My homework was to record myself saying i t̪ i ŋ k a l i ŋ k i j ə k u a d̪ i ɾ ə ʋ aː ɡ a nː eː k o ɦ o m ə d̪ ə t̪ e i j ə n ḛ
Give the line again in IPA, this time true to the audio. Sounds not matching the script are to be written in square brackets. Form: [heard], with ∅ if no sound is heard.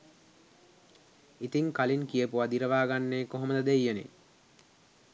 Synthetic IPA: i t̪ i ŋ k a l i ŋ k i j ə [p] u a d̪ i ɾ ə ʋ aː ɡ a nː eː k o ɦ o m ə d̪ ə [d̪] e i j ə n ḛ